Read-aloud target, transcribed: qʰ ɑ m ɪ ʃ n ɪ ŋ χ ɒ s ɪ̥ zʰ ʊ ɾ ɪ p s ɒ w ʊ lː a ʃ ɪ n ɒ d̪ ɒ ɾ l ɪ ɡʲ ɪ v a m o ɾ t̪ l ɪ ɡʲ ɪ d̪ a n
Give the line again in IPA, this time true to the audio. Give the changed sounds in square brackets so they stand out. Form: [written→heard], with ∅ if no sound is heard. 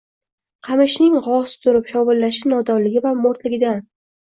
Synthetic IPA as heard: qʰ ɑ m ɪ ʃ n ɪ ŋ [χ→ʁ] ɒ s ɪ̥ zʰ ʊ ɾ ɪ p [s→ʃ] ɒ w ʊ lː a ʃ ɪ n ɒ d̪ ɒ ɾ l ɪ ɡʲ ɪ v a m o ɾ t̪ l ɪ ɡʲ ɪ d̪ a n